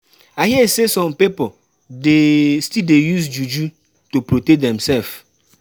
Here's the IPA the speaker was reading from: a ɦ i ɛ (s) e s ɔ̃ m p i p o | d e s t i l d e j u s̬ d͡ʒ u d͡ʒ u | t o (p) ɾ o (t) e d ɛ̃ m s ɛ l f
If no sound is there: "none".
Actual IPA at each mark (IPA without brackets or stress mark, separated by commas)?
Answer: s, p, t